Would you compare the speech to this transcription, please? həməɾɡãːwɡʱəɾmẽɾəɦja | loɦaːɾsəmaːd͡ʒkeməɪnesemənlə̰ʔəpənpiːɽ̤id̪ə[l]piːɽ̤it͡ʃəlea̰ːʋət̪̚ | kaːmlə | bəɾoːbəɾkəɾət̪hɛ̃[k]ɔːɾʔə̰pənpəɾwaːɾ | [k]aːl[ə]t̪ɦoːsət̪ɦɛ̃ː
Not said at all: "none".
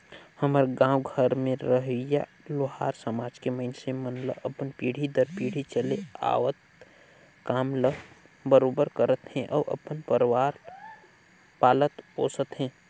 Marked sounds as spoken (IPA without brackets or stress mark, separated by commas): ɾ, ʔ, p, ə